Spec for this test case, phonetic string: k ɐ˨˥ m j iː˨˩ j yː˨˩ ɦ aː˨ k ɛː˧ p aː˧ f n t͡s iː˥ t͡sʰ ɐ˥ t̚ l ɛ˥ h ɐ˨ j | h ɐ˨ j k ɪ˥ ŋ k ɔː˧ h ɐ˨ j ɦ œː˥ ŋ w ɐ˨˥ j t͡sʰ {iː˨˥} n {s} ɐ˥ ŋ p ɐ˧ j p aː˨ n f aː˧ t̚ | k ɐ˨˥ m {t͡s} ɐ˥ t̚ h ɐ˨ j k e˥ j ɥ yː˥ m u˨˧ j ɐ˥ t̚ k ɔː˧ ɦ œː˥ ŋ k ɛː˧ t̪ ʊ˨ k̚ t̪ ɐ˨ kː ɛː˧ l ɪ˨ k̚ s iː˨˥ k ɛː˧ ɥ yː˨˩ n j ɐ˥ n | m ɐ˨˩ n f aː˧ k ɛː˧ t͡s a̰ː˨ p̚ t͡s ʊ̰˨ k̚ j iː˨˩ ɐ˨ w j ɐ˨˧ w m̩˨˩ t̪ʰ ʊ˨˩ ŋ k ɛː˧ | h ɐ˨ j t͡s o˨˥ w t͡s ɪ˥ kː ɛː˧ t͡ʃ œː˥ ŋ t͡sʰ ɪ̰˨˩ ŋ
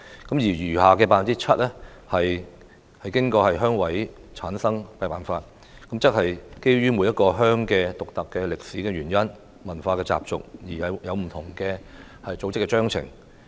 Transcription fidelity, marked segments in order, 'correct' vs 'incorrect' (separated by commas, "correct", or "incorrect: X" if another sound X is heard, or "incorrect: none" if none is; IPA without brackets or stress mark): incorrect: aː˨˥, correct, correct